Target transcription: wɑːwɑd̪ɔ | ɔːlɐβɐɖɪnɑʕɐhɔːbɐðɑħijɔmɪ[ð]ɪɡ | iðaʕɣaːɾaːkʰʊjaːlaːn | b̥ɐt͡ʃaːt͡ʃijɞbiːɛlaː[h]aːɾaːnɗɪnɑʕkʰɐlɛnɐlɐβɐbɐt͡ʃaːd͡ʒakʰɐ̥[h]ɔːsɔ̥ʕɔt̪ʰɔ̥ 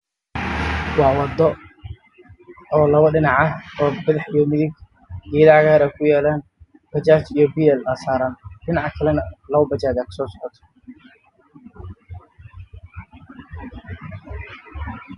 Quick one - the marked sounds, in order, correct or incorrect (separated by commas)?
correct, incorrect, incorrect